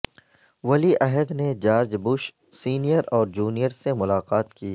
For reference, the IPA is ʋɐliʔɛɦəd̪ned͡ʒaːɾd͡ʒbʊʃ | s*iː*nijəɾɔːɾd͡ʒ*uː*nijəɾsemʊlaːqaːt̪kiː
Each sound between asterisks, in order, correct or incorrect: correct, correct

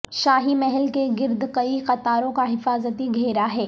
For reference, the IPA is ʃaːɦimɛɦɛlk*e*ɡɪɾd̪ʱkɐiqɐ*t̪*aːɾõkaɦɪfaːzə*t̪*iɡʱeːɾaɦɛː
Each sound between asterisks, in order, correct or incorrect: correct, correct, correct

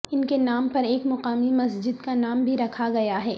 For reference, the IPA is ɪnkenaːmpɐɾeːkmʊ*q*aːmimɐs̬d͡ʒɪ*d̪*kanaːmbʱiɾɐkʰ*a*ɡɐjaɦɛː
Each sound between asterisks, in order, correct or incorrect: correct, correct, correct

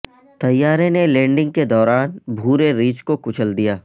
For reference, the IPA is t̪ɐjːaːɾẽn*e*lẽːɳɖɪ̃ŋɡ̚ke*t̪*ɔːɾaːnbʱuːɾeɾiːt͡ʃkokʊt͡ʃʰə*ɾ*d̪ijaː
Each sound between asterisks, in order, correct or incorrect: correct, incorrect, incorrect

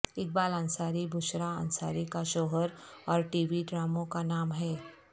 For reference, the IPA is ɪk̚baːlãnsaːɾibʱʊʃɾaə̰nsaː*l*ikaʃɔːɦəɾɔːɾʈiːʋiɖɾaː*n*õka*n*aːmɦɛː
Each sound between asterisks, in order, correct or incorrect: incorrect, incorrect, correct

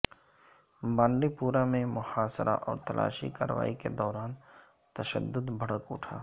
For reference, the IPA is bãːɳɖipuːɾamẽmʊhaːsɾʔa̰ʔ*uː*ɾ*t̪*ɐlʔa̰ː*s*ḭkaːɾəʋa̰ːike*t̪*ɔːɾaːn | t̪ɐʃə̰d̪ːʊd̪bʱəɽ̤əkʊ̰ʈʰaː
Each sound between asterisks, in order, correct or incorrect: incorrect, correct, incorrect, incorrect

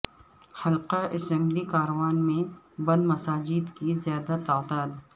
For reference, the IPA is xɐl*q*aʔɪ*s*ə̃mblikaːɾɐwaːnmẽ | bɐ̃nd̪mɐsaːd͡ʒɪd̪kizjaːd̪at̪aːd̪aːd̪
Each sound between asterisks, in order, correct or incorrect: correct, correct

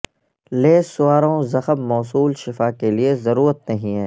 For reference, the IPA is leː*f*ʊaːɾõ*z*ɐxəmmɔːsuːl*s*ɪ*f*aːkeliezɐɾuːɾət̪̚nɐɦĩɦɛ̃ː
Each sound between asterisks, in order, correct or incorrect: incorrect, correct, incorrect, correct

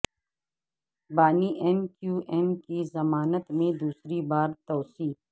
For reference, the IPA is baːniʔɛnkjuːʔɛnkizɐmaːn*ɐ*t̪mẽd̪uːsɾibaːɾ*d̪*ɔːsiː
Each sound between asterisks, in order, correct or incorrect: incorrect, incorrect

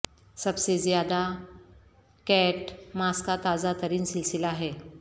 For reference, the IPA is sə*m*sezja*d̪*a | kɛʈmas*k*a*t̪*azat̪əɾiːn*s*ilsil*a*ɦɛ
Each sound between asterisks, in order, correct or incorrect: incorrect, correct, correct, correct, correct, correct

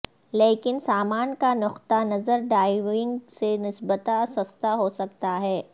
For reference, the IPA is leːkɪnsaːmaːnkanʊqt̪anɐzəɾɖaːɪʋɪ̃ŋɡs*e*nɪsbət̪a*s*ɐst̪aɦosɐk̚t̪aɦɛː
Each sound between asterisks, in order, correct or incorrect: correct, correct

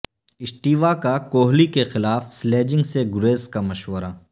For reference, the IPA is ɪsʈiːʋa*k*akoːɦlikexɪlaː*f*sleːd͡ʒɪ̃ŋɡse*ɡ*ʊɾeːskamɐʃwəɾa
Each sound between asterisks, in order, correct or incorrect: correct, correct, correct

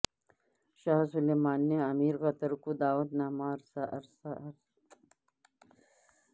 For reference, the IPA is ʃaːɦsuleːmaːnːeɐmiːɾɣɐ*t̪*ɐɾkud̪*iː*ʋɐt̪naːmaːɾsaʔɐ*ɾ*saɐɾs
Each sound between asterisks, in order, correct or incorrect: correct, incorrect, correct

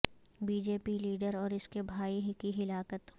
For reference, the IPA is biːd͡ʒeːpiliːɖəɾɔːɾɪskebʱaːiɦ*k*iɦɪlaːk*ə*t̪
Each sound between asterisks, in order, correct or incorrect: correct, correct

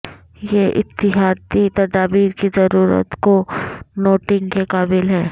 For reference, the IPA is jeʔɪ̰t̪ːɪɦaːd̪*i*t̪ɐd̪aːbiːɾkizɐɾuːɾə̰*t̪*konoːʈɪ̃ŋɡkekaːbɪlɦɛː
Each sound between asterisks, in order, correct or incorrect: correct, correct

